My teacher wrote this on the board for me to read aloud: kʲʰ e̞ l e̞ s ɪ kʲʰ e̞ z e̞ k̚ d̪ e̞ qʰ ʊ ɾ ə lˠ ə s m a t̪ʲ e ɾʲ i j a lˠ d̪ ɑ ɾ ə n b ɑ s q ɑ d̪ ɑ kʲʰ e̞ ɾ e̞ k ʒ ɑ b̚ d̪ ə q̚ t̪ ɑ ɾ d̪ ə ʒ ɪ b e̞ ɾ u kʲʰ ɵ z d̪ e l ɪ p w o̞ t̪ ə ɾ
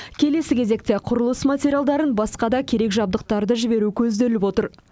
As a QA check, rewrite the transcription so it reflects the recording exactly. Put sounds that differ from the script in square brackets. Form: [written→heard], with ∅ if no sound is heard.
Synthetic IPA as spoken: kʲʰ e̞ l e̞ s ɪ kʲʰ e̞ z e̞ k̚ [d̪→t̪] e̞ qʰ ʊ ɾ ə lˠ ə s m a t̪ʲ e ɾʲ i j a lˠ d̪ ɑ ɾ ə n b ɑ s q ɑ d̪ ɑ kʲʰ e̞ ɾ e̞ k ʒ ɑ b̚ d̪ ə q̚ t̪ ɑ ɾ d̪ ə ʒ ɪ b e̞ ɾ u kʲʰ ɵ z d̪ e l ɪ p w o̞ t̪ ə ɾ

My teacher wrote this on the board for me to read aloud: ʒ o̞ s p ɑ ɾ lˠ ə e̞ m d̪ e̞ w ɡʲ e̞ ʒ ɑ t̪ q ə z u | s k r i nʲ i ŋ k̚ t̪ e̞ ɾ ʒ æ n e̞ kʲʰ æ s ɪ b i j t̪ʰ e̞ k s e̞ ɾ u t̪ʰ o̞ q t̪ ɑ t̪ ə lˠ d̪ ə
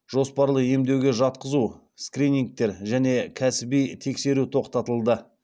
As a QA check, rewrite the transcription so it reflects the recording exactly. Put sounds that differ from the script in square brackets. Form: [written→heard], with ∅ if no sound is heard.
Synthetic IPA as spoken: ʒ o̞ s p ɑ ɾ lˠ ə e̞ m d̪ e̞ w ɡʲ e̞ ʒ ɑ t̪ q ə z u | s k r i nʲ i ŋ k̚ t̪ e̞ ɾ ʒ æ n e̞ kʲʰ æ s ɪ b i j t̪ʰ e̞ k s e̞ ɾ u t̪ʰ o̞ q t̪ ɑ t̪ ə lˠ d̪ ə

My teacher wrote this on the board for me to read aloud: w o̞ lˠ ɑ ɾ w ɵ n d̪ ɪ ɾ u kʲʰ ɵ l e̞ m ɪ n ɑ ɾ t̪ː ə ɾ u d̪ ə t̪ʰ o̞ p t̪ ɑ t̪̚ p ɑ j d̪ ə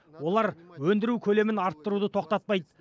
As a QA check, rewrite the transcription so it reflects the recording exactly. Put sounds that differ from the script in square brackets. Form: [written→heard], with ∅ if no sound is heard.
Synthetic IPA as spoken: w o̞ lˠ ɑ ɾ w ɵ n d̪ ɪ ɾ u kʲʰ ɵ l e̞ m ɪ n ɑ ɾ t̪ː ə ɾ u d̪ ə t̪ʰ o̞ [p→q] t̪ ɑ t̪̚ p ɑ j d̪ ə

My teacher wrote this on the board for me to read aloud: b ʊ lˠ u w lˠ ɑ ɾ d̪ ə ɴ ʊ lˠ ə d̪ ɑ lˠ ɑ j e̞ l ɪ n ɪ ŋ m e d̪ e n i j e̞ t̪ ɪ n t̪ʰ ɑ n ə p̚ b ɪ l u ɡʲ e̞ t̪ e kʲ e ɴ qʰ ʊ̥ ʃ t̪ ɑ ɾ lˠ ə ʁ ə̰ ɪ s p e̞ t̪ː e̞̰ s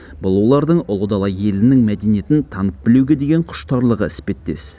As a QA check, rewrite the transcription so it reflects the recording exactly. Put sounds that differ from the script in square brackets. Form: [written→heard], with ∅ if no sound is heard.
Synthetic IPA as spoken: b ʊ lˠ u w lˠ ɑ ɾ d̪ ə ɴ ʊ lˠ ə d̪ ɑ lˠ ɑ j e̞ l ɪ n ɪ ŋ m [e→æ] d̪ e n i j e̞ t̪ ɪ n t̪ʰ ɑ n ə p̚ b ɪ l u ɡʲ e̞ [t̪→d̪] e [kʲ→ɡʲ] e ɴ qʰ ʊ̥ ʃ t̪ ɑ ɾ lˠ ə ʁ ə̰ ɪ s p e̞ t̪ː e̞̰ s

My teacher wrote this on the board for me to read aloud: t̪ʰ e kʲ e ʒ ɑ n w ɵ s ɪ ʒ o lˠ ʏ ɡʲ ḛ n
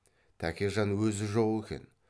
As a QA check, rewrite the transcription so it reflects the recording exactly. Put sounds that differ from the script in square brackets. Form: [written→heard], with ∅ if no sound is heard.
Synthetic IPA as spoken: t̪ʰ [e→æ] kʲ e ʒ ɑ n w ɵ [s→z] ɪ ʒ o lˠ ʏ [ɡʲ→kʲ] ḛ n

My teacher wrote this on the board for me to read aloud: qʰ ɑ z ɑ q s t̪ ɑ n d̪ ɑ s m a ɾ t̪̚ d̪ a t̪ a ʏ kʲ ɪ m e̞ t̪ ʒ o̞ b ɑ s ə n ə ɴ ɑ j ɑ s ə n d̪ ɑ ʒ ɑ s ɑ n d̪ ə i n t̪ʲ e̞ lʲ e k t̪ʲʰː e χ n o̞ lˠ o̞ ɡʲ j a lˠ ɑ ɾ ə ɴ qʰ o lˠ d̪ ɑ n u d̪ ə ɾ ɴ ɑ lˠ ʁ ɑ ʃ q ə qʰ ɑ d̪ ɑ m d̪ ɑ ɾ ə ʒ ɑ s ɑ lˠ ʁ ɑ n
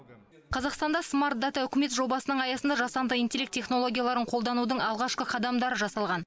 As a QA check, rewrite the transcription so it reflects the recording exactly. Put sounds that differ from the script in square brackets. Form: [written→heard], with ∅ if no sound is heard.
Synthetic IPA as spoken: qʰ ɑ z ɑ q s t̪ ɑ n d̪ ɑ s m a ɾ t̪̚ d̪ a t̪ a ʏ kʲ ɪ m e̞ t̪ ʒ o̞ b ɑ s ə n ə ɴ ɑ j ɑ s ə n d̪ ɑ ʒ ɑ s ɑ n d̪ ə i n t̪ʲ e̞ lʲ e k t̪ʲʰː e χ n o̞ lˠ o̞ ɡʲ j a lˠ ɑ ɾ ə ɴ qʰ o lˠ d̪ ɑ n u d̪ ə [ɾ→∅] ɴ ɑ lˠ ʁ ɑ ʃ q ə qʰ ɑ d̪ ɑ m d̪ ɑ ɾ ə ʒ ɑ s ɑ lˠ ʁ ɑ n

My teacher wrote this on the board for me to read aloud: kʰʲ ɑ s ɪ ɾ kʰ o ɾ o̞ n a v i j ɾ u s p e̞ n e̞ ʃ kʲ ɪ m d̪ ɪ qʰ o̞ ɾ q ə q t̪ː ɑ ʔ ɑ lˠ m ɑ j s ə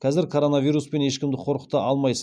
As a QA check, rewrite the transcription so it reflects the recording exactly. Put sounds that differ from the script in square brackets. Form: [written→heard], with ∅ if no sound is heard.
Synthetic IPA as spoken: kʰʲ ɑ [s→z] ɪ ɾ kʰ o ɾ o̞ n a v i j ɾ u s p e̞ n e̞ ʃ kʲ ɪ m d̪ ɪ qʰ o̞ ɾ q ə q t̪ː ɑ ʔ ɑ lˠ m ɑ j s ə

